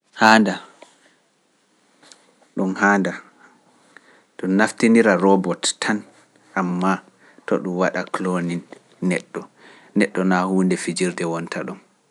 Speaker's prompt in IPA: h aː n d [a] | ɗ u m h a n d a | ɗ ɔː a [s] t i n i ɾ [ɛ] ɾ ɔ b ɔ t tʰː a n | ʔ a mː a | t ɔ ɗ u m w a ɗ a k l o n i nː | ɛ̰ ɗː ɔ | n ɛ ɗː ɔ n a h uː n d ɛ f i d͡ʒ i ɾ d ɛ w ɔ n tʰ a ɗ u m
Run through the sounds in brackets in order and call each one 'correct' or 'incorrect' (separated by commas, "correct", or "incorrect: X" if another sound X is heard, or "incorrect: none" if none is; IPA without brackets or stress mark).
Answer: correct, incorrect: f, incorrect: a